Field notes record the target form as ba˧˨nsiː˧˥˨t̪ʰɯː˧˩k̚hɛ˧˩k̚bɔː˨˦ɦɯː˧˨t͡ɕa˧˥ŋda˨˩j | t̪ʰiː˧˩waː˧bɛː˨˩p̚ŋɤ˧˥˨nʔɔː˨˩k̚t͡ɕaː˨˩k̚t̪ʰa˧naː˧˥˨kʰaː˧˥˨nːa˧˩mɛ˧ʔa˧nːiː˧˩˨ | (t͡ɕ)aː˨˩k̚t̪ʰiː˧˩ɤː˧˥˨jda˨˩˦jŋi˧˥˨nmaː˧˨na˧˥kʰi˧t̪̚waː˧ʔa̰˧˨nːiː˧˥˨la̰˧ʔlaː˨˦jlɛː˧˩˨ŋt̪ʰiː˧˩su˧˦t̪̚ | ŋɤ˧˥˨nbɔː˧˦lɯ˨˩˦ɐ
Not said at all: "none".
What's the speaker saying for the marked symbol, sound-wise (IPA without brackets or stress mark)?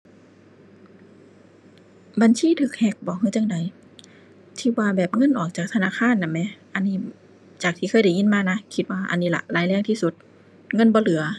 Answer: t͡ɕ